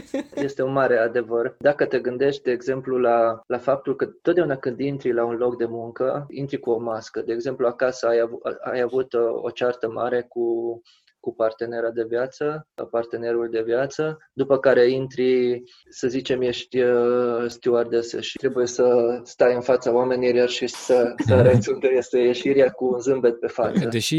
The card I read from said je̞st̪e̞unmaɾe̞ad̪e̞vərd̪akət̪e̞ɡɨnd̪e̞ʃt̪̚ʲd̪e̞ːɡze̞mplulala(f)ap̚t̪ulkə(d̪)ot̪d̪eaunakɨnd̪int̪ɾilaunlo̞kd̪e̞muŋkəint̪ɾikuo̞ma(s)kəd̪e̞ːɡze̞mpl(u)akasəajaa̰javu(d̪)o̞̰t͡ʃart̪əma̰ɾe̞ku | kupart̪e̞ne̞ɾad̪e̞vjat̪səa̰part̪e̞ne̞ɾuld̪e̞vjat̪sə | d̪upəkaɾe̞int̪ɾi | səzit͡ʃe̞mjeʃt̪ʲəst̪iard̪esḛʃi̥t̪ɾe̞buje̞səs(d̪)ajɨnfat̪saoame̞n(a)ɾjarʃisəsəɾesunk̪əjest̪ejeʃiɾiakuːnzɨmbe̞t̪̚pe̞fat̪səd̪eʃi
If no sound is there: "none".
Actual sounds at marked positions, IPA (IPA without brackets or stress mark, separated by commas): f, t̪, s, u, t̪, t̪, i